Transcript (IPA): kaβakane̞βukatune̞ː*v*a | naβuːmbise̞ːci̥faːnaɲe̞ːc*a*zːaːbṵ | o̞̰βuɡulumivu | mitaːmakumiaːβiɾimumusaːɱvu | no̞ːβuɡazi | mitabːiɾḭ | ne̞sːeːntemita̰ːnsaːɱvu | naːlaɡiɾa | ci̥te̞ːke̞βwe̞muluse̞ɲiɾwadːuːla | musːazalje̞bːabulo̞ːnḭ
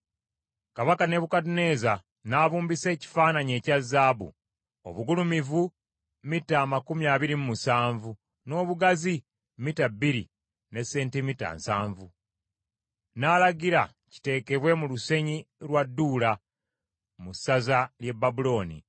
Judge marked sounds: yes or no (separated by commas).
no, yes